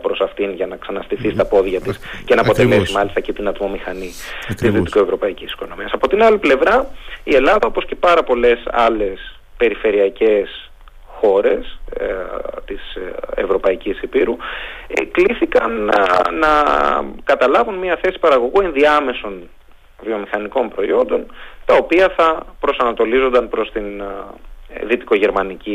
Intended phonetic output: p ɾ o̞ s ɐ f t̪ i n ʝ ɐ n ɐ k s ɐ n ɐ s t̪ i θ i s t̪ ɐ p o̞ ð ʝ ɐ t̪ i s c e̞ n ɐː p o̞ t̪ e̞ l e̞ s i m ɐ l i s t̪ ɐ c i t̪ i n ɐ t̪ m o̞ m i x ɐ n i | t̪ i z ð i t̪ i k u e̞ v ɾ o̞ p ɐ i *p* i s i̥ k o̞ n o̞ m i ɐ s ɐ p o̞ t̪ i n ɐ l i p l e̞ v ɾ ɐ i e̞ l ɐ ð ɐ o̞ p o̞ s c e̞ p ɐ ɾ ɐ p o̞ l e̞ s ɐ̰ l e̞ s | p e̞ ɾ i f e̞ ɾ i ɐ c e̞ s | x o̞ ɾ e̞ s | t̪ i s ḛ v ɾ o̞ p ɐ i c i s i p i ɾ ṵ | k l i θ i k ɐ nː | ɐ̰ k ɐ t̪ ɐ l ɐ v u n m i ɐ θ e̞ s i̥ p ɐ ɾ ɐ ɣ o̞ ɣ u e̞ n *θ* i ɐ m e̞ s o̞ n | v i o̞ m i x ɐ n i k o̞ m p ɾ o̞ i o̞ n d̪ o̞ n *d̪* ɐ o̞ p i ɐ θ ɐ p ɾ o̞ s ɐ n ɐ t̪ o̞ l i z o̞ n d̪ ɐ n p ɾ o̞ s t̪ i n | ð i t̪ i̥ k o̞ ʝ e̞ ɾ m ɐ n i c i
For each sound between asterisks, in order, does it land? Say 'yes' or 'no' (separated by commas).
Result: no, no, no